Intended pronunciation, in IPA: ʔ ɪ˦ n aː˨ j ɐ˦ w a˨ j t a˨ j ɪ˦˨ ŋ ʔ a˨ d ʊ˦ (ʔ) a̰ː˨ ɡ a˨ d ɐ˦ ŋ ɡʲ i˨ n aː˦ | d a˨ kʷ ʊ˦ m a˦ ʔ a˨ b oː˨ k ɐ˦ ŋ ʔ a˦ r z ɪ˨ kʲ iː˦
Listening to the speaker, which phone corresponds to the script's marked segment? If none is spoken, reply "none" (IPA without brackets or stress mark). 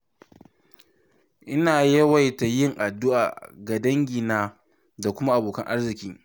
ʔ